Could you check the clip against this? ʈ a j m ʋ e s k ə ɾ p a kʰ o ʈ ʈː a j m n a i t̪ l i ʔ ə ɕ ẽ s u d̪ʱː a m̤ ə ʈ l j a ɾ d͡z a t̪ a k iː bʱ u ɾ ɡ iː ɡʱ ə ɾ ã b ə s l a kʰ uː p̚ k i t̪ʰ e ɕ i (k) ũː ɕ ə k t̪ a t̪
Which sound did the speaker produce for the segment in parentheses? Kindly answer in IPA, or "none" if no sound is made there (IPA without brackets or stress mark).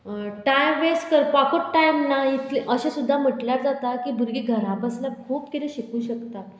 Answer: k